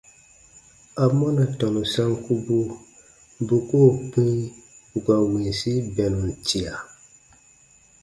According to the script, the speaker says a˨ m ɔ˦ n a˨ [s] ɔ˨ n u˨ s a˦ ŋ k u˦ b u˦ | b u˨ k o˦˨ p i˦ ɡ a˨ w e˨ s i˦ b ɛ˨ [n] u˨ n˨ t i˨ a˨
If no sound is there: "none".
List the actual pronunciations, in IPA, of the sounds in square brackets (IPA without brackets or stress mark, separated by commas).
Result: t, n